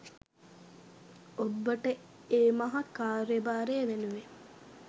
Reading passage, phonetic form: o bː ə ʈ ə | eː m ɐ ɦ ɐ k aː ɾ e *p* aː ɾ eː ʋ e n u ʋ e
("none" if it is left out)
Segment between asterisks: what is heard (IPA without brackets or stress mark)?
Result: b